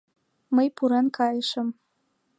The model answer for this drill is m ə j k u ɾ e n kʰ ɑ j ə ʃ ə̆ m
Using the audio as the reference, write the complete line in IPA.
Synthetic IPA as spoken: m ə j p u ɾ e n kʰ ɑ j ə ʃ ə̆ m